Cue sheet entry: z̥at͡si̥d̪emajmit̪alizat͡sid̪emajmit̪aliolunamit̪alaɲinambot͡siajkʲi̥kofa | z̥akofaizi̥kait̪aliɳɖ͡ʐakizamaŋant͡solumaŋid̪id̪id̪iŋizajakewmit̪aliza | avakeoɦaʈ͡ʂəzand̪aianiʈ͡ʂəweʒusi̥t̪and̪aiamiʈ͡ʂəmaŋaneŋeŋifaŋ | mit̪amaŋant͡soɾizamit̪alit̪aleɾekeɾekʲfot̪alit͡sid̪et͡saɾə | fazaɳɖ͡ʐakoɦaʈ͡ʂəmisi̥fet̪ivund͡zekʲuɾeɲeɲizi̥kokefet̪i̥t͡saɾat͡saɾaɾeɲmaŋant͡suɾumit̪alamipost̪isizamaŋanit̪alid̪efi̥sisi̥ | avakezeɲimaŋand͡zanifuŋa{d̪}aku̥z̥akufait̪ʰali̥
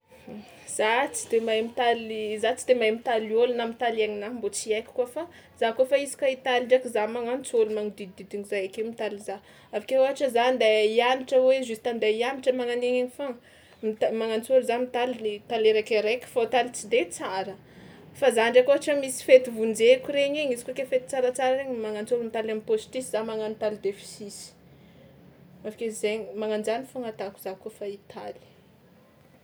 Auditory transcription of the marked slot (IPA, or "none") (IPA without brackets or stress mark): t̪